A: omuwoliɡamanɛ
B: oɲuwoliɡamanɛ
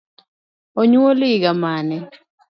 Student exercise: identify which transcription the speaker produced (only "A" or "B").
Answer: B